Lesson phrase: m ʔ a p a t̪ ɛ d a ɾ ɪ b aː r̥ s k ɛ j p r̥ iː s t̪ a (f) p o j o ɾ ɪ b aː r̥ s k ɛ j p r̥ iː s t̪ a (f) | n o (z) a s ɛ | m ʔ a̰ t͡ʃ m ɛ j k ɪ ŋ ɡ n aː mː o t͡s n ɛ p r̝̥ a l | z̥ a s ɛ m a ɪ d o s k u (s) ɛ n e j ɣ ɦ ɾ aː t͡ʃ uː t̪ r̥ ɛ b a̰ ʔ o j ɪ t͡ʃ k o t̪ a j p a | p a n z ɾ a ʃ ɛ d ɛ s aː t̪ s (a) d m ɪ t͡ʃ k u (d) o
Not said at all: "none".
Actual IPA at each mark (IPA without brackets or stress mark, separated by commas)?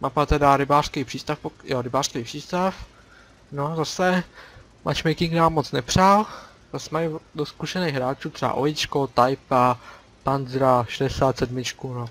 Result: f, f, z, ʃ, ɛ, n